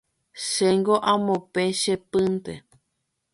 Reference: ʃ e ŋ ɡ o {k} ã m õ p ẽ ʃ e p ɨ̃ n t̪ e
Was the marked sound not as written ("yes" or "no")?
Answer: yes